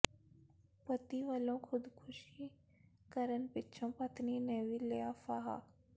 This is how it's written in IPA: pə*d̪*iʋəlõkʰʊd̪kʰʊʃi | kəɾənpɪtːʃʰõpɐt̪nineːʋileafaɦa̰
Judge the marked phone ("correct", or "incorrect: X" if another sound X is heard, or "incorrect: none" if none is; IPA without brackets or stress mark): incorrect: t̪